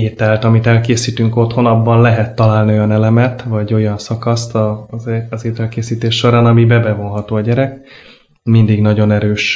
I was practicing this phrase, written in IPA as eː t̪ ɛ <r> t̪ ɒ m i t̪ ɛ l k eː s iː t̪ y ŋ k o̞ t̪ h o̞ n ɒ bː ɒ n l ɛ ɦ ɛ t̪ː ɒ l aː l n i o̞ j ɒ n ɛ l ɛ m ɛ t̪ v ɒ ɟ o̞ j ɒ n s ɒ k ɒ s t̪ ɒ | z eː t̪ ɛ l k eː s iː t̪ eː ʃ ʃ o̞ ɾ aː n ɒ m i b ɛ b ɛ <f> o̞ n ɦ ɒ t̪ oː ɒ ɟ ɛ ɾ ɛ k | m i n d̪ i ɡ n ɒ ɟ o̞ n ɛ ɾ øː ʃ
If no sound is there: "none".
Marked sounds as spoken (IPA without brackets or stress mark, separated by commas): l, v